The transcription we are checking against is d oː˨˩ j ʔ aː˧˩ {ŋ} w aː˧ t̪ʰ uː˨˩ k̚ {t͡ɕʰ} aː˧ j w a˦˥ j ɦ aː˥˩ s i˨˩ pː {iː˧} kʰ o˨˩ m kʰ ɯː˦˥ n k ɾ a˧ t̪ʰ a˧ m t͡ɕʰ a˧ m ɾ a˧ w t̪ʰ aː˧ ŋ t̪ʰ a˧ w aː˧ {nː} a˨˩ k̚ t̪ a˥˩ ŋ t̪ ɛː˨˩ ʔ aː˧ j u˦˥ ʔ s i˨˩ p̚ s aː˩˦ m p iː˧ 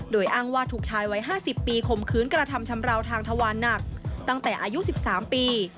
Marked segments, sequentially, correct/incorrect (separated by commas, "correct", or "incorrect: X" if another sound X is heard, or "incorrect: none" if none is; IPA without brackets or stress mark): correct, correct, correct, correct